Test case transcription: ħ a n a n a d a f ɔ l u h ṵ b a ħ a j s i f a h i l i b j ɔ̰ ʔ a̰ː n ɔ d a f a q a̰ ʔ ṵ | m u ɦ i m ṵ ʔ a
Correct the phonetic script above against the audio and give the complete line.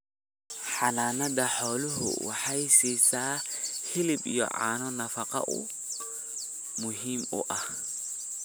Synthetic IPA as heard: ħ a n a n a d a ħ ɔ l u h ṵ w a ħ a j s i s a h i l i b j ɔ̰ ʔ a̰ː n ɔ n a f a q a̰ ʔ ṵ | m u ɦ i m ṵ ʔ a